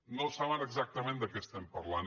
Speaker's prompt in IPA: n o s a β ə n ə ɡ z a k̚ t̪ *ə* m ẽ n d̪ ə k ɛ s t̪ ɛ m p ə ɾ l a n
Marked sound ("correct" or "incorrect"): correct